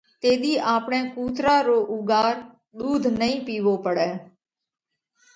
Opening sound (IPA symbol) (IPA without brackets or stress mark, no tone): t̪